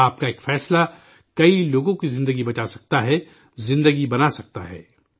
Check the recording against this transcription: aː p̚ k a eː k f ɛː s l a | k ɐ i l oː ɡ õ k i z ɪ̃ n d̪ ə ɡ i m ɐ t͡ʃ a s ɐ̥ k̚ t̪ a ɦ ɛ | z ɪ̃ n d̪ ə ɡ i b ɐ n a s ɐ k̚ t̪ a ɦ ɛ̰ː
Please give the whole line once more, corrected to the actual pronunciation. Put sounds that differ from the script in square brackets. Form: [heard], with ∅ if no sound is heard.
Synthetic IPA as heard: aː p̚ k a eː k f ɛː s l a | k ɐ i l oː ɡ õ k i z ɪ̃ n d̪ ə ɡ i [b] ɐ t͡ʃ a s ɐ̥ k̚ t̪ a ɦ ɛ | z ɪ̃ n d̪ ə ɡ i b ɐ n a s ɐ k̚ t̪ a ɦ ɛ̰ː